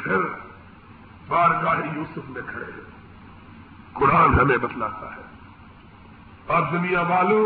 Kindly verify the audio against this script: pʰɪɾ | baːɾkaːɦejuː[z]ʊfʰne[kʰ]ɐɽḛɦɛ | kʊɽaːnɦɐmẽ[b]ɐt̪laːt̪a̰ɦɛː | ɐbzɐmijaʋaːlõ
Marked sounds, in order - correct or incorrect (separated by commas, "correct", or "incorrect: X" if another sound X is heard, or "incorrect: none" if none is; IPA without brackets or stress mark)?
incorrect: s, correct, correct